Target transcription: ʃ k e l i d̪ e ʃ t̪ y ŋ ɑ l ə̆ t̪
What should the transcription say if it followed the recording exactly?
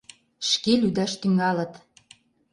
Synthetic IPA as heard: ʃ k e l y d̪ æ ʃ t̪ y ŋ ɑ l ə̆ t̪